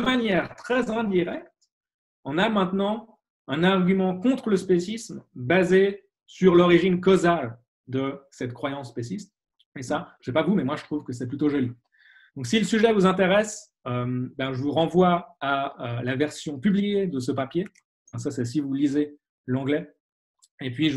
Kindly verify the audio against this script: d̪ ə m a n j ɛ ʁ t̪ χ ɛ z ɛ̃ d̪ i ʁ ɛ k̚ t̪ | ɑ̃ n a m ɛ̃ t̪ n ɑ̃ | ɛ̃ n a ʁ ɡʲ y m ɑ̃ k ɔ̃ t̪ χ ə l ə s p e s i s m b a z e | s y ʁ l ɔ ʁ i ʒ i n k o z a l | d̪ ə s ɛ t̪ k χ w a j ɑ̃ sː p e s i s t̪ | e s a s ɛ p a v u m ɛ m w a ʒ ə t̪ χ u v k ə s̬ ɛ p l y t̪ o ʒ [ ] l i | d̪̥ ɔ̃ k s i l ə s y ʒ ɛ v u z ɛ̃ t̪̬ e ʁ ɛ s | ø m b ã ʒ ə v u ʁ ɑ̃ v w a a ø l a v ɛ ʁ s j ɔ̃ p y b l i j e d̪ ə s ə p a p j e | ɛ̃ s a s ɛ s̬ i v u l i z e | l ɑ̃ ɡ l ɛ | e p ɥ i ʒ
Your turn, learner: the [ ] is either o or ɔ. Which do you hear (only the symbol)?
ɔ